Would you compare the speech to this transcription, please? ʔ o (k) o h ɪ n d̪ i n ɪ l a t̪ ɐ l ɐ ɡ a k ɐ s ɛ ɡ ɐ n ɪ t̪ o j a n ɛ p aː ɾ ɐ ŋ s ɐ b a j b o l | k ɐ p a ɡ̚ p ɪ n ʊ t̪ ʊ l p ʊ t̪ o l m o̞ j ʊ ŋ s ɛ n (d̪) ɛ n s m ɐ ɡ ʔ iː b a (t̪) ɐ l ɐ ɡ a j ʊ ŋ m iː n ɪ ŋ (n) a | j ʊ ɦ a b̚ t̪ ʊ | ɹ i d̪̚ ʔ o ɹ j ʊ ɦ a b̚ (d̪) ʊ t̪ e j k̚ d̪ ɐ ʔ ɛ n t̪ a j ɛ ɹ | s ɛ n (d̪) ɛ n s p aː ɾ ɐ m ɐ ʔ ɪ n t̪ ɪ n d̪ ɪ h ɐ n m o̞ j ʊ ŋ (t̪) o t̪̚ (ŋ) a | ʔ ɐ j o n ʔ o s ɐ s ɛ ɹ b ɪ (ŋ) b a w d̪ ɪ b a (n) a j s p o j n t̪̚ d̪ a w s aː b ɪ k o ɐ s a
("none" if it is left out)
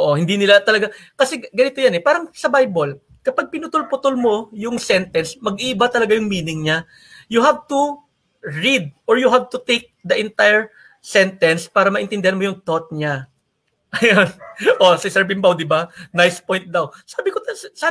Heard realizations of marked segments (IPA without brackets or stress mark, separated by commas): ʔ, t̪, t̪, ɲ, t̪, t̪, t̪, ɲ, m, n